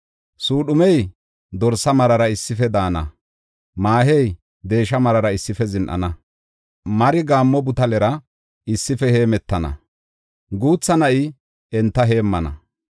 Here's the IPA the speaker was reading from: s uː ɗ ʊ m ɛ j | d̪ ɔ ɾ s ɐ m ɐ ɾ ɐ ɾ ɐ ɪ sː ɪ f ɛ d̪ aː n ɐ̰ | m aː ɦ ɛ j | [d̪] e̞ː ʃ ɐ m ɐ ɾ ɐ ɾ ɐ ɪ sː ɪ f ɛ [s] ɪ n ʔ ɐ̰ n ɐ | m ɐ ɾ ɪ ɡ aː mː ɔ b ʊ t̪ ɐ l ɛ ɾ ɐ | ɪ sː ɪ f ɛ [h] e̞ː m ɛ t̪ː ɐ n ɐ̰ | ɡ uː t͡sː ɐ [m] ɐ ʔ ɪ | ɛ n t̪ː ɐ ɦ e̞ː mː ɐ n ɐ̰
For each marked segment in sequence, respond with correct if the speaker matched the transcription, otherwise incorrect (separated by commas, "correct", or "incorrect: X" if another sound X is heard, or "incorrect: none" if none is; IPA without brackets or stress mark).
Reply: correct, incorrect: z, correct, incorrect: n